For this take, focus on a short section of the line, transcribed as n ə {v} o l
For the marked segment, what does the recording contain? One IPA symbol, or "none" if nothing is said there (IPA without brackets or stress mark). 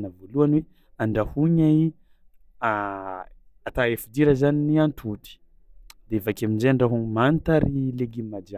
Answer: v